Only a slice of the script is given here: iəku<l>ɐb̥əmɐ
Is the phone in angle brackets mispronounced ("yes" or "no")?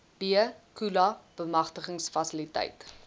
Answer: no